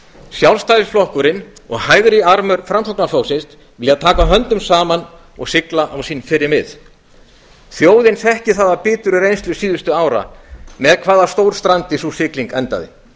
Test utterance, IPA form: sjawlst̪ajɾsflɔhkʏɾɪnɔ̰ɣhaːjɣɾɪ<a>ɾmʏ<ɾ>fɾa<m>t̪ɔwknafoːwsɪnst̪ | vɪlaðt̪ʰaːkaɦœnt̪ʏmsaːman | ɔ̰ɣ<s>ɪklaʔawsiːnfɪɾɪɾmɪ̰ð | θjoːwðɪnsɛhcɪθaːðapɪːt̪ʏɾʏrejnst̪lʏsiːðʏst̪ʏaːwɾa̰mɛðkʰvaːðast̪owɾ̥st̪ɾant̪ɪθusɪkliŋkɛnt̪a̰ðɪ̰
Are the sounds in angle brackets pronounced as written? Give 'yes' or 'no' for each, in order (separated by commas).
yes, yes, yes, yes